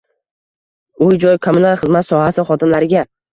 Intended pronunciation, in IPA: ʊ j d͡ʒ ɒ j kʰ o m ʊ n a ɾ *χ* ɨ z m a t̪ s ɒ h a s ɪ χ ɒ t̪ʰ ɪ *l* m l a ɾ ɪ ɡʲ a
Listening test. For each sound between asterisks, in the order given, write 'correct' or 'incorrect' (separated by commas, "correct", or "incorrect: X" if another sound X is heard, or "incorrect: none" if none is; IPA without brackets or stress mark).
correct, incorrect: none